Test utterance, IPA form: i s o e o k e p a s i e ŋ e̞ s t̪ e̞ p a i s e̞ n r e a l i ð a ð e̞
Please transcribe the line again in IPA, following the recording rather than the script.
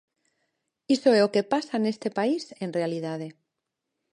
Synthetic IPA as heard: i s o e o k e p a s a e n e̞ s t̪ e̞ p a i s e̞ n r e a l i ð a ð e̞

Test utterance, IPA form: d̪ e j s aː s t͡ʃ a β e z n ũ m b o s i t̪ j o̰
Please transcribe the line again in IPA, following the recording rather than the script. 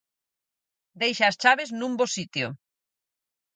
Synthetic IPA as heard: d̪ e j ʃ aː s t͡ʃ a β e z n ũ m b o s i t̪ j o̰

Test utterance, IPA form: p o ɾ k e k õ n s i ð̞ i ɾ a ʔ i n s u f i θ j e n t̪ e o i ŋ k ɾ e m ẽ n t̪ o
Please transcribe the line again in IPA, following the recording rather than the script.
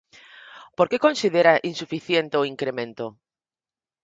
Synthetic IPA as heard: p o ɾ k e k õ n s i ð̞ e ɾ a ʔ i n s u f i θ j e n t̪ e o i ŋ k ɾ e m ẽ n t̪ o

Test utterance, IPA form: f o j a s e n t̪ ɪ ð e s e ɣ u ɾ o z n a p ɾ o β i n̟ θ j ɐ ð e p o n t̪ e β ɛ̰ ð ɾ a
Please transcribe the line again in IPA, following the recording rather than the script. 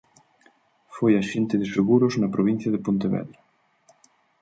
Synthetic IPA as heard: f o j a ʃ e n t̪ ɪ ð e s e ɣ u ɾ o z n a p ɾ o β i n̟ θ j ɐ ð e p o n t̪ e β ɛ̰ ð ɾ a

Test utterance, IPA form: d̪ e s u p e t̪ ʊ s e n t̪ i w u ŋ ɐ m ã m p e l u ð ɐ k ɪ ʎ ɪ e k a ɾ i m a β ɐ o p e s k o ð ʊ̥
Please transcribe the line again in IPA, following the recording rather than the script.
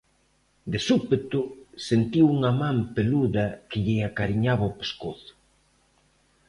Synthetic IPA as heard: d̪ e s u p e t̪ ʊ s e n t̪ i w u ŋ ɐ m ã m p e l u ð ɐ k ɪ ʎ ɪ a k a ɾ i ɲ a β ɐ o p e s k o θ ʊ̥

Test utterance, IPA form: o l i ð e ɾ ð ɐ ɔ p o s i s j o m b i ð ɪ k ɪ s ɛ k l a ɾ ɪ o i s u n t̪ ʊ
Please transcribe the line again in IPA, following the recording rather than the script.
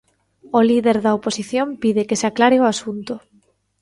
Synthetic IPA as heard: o l i ð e ɾ ð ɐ o p o s i θ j o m p i ð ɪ k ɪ s a k l a ɾ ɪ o a s u n t̪ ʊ

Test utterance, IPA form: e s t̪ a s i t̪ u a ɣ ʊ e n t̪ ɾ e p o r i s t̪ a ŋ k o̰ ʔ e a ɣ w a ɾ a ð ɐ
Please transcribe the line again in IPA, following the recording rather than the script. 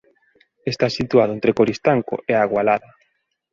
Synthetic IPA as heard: e s t̪ a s i t̪ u a ð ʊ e n t̪ ɾ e k o ɾ i s t̪ a ŋ k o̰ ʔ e a ɣ w a l a ð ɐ

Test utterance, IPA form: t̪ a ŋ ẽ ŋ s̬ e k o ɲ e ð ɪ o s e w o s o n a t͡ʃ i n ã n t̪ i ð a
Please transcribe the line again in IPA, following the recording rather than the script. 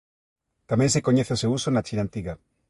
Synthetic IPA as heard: t̪ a m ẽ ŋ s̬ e k o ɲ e θ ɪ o s e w u s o n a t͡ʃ i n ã n t̪ i ɣ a

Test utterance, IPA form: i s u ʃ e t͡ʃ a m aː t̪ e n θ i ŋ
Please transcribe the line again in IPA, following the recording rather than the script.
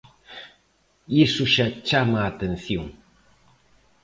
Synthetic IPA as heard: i s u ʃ a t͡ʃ a m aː t̪ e n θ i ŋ

